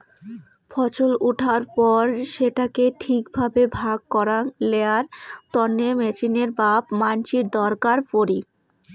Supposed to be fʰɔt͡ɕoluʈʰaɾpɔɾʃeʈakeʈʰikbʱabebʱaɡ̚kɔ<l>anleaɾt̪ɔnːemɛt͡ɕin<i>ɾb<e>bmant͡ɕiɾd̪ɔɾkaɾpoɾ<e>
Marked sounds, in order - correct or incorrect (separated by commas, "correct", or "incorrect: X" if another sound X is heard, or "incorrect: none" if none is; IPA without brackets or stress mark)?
incorrect: ɾ, incorrect: e, incorrect: a, incorrect: i